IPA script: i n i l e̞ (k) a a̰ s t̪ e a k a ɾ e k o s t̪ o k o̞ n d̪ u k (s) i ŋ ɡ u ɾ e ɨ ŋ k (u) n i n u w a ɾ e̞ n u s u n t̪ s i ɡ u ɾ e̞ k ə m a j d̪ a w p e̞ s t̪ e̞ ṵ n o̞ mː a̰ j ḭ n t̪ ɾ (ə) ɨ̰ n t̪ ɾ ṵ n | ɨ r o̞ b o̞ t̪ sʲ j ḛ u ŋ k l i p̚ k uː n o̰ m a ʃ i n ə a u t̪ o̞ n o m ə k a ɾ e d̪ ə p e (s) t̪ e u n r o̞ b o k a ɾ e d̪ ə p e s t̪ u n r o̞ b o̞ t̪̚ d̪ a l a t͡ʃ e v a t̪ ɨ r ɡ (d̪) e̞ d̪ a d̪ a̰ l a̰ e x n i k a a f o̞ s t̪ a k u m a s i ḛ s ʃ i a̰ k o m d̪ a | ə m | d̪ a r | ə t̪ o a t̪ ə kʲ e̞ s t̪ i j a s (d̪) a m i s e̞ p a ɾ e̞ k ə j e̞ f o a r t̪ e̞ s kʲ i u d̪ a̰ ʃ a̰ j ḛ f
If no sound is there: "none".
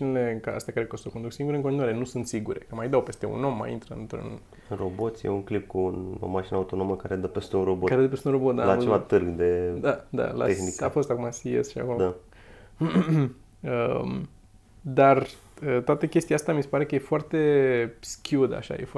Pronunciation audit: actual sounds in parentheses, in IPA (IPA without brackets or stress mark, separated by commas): k, s, o, ə, s, d̪, t̪